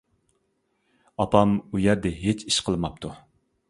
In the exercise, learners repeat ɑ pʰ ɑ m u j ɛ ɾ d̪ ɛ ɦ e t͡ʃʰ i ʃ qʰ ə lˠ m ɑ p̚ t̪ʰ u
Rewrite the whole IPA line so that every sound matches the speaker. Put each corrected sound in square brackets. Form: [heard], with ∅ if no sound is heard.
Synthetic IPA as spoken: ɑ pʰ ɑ m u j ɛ ɾ d̪ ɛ ɦ e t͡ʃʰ i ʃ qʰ ə lˠ m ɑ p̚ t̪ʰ u